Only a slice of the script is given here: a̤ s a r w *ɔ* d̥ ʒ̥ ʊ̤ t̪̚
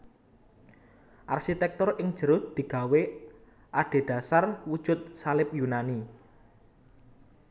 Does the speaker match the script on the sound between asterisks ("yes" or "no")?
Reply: no